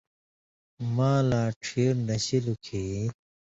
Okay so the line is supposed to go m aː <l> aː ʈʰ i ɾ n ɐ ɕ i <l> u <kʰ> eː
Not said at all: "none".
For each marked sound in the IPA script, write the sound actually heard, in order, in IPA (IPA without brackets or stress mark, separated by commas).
l, l, kʰ